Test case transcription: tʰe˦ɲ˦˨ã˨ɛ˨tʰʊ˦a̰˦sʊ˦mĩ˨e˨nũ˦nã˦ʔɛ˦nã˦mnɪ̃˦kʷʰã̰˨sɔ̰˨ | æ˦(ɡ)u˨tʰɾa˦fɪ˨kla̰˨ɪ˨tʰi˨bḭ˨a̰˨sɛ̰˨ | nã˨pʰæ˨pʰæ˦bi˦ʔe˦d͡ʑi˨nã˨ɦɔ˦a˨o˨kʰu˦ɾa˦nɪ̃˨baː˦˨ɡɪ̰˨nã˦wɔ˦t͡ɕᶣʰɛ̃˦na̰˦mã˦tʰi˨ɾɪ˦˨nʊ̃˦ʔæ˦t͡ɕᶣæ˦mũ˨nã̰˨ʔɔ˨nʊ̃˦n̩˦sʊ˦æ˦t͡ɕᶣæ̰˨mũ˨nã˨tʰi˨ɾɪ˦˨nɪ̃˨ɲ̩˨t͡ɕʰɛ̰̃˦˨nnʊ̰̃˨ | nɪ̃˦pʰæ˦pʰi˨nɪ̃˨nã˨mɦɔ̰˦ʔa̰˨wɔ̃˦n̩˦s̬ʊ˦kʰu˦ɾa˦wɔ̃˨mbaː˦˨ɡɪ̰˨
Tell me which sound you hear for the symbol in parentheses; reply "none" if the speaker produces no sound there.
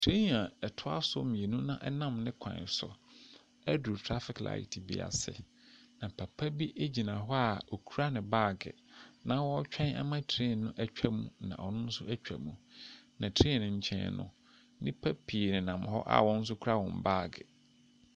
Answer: d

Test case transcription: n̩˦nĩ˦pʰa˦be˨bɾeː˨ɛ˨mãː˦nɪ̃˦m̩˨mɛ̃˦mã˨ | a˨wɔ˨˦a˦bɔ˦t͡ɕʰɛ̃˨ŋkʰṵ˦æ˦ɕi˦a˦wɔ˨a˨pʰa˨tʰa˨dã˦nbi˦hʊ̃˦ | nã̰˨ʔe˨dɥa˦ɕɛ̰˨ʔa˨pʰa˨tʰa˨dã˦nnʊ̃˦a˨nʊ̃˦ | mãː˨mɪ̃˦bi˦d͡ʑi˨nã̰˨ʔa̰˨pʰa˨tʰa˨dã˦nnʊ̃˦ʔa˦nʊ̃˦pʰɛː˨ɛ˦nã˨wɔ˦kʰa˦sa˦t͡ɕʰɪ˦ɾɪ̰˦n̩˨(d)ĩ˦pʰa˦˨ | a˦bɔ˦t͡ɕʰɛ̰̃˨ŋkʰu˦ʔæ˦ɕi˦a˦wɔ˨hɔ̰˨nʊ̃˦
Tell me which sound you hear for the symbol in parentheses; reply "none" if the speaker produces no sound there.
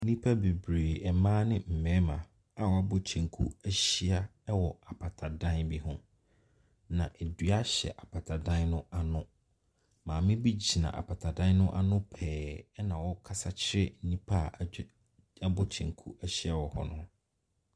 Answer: n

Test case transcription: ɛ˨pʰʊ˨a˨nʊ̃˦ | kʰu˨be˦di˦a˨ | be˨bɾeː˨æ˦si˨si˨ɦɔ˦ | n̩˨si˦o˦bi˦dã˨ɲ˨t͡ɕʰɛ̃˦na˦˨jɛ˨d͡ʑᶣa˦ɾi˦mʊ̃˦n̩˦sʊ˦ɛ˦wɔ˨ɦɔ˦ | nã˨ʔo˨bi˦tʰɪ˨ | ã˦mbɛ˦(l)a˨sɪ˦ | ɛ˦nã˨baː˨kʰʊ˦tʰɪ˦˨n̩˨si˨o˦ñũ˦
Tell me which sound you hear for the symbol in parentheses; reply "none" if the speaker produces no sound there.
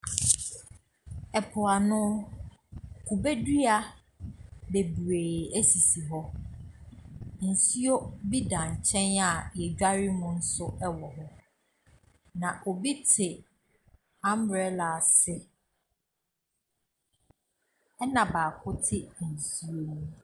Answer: l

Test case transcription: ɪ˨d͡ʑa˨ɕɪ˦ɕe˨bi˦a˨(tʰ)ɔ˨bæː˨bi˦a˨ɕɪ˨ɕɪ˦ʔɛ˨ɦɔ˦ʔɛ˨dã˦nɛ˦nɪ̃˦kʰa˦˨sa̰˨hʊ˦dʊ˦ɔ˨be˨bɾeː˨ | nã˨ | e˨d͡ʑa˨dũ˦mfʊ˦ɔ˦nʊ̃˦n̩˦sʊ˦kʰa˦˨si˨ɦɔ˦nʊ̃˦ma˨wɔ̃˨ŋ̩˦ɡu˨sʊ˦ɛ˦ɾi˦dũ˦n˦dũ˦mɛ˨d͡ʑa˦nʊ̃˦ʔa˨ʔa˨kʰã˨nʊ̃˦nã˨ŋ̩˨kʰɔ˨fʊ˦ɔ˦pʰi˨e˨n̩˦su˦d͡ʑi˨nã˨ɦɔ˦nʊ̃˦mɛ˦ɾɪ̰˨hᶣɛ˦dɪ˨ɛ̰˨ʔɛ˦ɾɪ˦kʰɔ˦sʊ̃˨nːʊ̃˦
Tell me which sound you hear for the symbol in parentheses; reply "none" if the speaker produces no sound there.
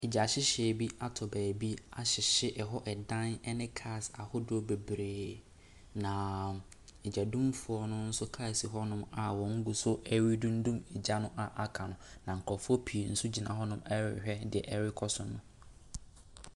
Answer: tʰ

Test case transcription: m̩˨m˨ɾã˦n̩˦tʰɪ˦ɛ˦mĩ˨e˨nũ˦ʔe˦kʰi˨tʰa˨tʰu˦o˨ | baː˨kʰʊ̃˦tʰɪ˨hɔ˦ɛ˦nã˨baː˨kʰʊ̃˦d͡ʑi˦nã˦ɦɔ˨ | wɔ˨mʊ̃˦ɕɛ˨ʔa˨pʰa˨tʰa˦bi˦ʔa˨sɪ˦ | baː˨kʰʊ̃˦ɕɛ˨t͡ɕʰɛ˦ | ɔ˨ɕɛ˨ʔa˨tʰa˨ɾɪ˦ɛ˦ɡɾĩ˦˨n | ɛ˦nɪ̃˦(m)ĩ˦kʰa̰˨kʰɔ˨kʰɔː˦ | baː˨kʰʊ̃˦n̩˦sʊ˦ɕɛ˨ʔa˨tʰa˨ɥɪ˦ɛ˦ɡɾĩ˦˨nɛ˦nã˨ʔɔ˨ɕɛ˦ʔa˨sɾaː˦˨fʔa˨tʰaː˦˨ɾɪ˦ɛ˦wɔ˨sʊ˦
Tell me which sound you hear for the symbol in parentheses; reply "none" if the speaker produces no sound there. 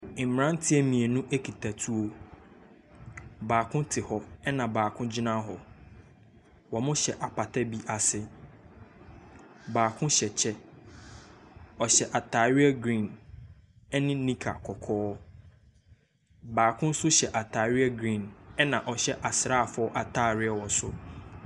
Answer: n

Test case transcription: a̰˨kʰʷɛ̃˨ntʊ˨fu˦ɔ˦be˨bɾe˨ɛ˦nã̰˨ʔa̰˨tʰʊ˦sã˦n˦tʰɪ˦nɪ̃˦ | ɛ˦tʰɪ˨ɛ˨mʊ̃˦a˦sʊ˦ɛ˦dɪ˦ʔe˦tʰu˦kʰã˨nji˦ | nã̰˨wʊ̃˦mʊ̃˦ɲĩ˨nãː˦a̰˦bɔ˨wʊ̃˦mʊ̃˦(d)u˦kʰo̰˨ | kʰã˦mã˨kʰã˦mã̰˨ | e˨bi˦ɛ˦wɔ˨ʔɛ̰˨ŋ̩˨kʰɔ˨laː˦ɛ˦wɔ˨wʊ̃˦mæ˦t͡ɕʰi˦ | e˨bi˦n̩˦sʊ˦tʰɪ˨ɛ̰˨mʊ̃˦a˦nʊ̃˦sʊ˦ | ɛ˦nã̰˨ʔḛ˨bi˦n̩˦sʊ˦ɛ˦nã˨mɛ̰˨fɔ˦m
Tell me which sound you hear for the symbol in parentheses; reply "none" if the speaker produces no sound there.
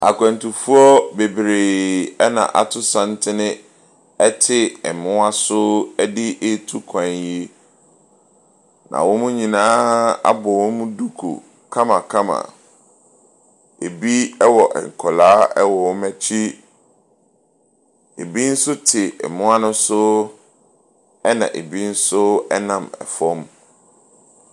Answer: d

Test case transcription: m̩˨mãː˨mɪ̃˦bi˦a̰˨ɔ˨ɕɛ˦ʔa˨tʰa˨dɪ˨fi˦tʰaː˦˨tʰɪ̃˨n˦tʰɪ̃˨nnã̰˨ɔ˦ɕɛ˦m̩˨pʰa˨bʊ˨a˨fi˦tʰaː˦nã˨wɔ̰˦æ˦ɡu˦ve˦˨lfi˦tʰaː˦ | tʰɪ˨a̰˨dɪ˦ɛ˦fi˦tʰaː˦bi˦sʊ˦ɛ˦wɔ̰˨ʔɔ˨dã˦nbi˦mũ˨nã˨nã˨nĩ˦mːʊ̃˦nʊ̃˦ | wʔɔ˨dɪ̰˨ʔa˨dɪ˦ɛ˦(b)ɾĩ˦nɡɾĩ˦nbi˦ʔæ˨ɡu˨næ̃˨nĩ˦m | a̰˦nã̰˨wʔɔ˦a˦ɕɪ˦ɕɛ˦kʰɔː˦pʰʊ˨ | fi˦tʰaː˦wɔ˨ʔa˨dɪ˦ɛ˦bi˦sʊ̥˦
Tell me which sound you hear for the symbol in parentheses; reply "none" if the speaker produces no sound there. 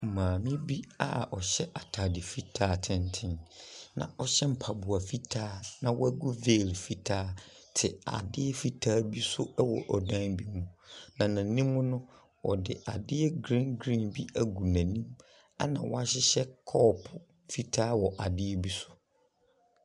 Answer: ɡ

